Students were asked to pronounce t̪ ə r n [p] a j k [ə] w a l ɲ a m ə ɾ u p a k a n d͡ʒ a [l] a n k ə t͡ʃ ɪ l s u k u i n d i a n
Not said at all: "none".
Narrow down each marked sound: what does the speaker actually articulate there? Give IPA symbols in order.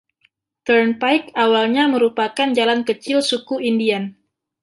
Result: p, a, l

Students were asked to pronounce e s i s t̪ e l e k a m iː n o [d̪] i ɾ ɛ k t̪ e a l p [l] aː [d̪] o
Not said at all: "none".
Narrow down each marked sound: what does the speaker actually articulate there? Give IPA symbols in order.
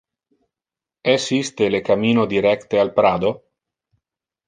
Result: d̪, ɾ, d̪

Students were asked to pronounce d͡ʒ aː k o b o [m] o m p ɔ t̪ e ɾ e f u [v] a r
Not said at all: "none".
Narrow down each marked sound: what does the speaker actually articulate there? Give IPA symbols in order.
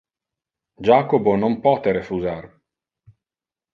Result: n, z

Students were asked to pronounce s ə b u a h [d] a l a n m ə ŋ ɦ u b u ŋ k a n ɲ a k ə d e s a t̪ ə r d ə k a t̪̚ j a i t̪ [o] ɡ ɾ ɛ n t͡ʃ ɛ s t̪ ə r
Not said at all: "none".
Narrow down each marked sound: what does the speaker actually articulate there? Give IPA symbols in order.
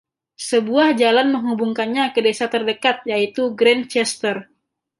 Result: d͡ʒ, u

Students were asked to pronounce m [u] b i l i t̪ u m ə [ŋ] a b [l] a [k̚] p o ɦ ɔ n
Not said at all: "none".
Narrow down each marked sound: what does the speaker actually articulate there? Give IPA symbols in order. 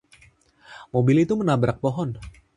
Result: o, n, ɾ, k̚

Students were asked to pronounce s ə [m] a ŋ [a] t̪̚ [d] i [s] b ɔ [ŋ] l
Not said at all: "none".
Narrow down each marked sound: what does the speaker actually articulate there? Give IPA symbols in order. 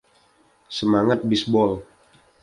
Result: m, a, b, s, none

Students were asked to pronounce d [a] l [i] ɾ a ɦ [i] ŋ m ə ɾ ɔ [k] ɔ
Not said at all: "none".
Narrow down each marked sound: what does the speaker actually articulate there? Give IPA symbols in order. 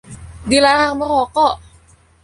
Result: i, a, a, k

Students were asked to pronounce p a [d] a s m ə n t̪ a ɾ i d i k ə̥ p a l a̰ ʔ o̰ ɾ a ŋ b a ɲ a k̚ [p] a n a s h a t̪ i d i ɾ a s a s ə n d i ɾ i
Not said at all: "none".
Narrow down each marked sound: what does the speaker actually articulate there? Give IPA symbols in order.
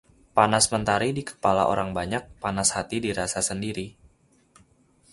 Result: n, p

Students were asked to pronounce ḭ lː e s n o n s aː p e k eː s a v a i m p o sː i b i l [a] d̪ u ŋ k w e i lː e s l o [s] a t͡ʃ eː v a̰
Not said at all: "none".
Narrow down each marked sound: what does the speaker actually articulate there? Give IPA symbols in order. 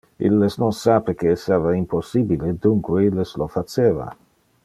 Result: e, f

